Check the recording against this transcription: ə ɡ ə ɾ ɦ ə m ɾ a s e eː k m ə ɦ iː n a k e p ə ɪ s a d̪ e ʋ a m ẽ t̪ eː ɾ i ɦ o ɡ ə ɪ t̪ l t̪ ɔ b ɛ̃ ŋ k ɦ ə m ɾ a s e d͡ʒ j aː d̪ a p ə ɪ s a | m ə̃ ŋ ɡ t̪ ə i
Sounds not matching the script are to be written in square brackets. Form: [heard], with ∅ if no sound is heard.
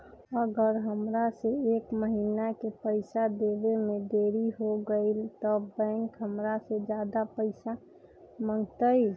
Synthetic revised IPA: ə ɡ ə ɾ ɦ ə m ɾ a s e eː k m ə ɦ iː n a k e p ə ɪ s a d̪ e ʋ [e] m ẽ [d̪] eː ɾ i ɦ o ɡ ə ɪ [∅] l t̪ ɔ b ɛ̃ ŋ k ɦ ə m ɾ a s e d͡ʒ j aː d̪ a p ə ɪ s a | m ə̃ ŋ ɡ t̪ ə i